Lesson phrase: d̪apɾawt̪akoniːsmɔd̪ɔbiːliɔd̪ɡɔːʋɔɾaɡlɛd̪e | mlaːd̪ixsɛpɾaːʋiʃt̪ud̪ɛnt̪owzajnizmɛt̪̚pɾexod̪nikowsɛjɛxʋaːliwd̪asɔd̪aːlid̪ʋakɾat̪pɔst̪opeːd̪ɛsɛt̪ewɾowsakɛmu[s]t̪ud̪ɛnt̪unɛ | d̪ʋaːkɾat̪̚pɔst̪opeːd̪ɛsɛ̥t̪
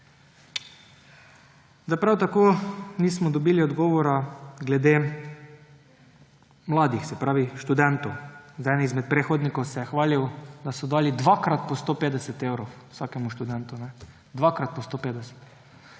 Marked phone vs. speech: incorrect: ʃ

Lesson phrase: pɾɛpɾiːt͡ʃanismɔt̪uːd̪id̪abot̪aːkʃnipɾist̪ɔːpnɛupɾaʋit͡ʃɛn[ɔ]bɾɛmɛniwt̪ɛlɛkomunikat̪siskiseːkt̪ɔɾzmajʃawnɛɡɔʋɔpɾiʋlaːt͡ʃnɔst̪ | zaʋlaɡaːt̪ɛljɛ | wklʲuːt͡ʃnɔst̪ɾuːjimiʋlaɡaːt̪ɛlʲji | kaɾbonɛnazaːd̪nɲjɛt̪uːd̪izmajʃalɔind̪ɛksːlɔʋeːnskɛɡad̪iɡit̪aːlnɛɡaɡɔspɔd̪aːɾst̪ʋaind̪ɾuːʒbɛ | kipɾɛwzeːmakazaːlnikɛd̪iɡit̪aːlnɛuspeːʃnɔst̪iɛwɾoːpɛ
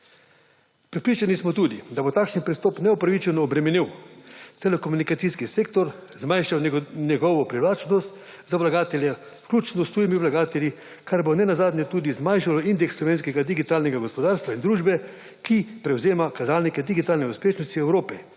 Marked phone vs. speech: incorrect: ɔː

